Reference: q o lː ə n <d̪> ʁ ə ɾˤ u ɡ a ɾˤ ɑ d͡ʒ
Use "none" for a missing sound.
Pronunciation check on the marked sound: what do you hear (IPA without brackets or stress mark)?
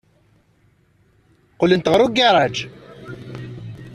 t̪